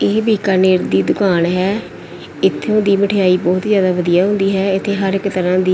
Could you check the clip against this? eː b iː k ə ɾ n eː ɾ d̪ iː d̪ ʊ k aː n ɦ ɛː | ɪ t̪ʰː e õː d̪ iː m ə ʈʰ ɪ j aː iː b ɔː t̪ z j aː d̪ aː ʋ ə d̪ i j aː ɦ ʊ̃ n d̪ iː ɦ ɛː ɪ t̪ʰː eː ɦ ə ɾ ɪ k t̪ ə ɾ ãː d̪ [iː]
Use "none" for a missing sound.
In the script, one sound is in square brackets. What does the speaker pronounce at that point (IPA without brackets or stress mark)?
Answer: iː